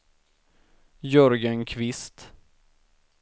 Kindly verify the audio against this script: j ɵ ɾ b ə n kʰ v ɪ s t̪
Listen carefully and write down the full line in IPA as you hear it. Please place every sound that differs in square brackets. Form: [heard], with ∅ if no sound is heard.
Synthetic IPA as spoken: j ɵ ɾ [ɡ] ə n kʰ v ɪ s t̪